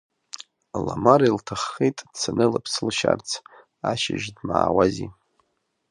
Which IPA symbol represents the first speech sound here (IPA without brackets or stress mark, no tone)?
l